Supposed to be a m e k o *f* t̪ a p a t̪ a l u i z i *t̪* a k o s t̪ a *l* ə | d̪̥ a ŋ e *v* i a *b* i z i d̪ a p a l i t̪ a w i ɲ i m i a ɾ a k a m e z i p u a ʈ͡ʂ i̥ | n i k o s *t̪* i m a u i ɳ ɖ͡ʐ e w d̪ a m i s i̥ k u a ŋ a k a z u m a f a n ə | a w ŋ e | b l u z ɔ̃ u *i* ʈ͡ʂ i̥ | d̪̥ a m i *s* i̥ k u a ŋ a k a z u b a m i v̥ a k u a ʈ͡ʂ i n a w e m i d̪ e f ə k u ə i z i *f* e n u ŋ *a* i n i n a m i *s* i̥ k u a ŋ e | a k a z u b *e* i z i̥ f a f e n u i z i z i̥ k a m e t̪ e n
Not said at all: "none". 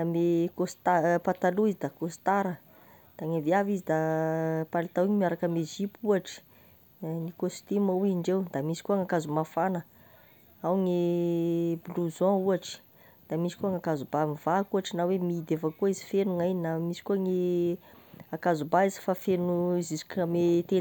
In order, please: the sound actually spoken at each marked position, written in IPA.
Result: s, d̪, ɾ, v, v, t̪, a, s, f, a, s, a

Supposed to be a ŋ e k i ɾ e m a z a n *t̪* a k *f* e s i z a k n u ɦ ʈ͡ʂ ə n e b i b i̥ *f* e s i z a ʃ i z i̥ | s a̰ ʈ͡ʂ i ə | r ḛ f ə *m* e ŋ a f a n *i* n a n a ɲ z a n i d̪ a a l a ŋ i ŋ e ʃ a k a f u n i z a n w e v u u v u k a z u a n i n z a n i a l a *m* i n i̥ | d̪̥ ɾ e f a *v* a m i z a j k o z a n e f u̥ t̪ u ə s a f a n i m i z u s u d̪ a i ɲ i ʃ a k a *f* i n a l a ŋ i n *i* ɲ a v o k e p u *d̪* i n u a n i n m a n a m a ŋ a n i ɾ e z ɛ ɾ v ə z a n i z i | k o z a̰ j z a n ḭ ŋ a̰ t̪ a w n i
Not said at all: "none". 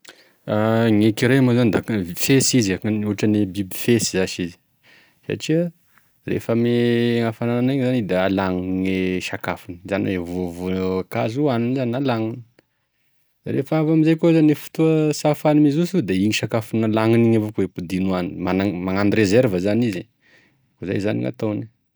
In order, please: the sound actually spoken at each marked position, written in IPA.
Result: d̪, f, f, m, a, ŋ, v, f, i, d̪

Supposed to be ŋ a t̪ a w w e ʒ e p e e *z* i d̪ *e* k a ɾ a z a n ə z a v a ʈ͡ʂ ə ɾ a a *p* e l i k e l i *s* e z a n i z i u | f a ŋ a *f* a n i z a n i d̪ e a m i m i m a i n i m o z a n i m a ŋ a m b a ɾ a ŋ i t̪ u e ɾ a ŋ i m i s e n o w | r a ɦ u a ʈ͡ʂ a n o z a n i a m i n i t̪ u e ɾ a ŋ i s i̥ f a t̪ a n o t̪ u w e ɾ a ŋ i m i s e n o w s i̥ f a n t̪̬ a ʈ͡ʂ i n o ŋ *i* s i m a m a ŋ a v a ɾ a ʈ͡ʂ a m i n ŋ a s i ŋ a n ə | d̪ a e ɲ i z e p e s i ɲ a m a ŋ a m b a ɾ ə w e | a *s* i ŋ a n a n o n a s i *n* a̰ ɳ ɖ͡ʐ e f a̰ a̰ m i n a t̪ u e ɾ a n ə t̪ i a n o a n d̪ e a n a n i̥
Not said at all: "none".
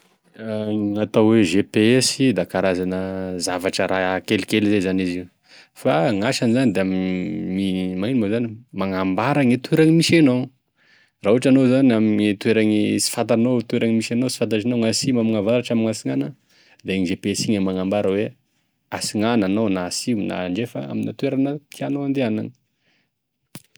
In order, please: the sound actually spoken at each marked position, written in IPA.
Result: s, a, k, z, ʃ, a, s, n

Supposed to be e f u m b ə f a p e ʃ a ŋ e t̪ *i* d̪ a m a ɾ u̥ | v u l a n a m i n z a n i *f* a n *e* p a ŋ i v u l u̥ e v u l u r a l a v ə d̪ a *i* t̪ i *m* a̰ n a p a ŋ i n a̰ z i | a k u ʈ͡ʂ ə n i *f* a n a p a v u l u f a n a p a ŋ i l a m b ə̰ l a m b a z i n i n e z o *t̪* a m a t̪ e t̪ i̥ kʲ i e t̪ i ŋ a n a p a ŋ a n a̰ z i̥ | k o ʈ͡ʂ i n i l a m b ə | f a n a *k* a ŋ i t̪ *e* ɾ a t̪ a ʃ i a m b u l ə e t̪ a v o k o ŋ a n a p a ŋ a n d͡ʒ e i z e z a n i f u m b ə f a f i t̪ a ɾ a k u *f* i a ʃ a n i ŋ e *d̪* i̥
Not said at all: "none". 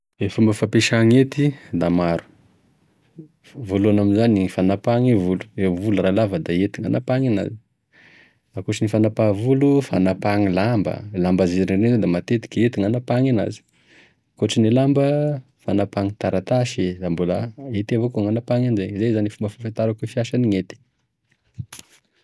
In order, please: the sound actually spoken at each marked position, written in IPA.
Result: i, f, a, e, ŋ, f, d̪, p, a, f, t̪

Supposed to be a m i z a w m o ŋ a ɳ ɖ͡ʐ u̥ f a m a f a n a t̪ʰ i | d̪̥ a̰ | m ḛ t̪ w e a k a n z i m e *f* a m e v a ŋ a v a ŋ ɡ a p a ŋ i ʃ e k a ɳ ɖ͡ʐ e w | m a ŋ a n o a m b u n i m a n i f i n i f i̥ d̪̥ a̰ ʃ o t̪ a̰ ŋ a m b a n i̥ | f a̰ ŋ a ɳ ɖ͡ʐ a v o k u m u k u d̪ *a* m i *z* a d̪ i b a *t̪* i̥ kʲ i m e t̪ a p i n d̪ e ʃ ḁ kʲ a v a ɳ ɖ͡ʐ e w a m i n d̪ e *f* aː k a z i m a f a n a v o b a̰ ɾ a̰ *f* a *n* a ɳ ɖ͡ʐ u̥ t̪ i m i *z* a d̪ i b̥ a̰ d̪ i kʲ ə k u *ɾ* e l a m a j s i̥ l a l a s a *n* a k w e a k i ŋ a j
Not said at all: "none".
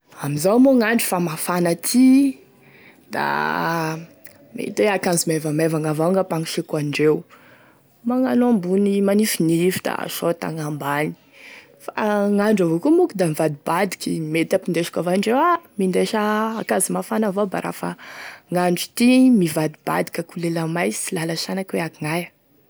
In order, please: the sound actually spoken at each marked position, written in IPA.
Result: v, a, v, d̪, ʃ, f, ŋ, v, l, n

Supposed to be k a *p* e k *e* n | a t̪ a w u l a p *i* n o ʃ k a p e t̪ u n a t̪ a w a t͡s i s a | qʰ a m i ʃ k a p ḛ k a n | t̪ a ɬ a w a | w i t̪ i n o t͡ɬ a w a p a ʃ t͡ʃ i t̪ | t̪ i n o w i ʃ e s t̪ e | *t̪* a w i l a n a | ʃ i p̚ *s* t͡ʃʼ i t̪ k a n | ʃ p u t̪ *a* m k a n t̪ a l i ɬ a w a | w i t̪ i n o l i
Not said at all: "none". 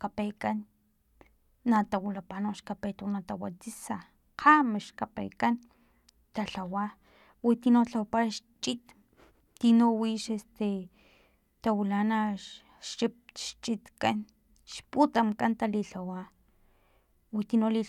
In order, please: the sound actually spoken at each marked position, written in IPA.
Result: p, a, a, t̪, ʃ, a

